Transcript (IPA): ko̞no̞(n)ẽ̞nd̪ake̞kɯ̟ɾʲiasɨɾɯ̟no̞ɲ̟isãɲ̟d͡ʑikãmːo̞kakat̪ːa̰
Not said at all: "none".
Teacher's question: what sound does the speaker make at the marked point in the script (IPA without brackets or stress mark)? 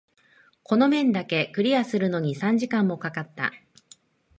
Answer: m